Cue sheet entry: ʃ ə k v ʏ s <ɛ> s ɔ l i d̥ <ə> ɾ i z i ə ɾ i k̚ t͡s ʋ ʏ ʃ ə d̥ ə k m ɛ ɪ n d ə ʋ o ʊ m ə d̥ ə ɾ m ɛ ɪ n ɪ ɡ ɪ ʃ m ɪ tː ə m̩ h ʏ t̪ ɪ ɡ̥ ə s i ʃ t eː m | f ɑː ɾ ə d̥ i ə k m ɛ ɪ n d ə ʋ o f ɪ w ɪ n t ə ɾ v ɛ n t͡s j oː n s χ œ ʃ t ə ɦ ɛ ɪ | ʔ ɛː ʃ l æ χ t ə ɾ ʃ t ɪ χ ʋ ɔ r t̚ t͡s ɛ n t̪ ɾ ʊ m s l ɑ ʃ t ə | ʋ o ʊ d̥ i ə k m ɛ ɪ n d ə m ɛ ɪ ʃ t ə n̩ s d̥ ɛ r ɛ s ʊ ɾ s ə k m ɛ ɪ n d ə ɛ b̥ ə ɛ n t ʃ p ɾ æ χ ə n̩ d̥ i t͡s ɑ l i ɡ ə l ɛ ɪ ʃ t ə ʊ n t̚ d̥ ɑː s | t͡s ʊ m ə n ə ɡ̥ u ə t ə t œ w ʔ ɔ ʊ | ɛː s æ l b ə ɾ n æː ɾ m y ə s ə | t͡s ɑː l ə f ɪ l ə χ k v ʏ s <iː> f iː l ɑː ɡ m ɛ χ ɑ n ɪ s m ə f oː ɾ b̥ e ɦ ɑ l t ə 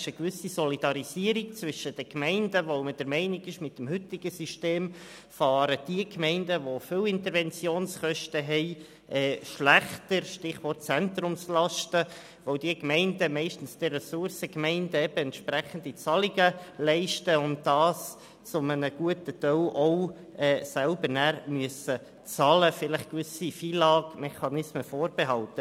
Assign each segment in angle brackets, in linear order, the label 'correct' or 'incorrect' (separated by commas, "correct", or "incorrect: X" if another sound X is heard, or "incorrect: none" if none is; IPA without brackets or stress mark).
incorrect: i, incorrect: ɑ, incorrect: i